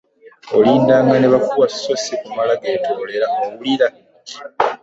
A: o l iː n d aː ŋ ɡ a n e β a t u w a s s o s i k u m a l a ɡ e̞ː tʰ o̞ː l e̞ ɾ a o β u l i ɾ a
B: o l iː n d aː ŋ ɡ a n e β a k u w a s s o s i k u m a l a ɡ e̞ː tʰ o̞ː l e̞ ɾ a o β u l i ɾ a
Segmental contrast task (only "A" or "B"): B